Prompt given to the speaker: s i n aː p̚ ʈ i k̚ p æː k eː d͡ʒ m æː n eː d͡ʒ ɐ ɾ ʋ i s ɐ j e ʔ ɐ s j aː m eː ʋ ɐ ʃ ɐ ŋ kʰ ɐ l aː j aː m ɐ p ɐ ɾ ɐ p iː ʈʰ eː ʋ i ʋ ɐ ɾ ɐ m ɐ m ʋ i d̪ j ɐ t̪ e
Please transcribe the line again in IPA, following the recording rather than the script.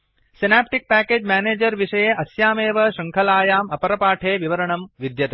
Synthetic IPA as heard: s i n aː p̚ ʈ i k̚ p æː k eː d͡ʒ m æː n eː d͡ʒ ɐ ɾ ʋ i ʂ ɐ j e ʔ ɐ s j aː m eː ʋ ɐ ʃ ɐ ŋ kʰ ɐ l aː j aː m ɐ p ɐ ɾ ɐ p aː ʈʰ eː ʋ i ʋ ɐ ɾ ɐ ɳ ɐ m ʋ i d̪ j ɐ t̪ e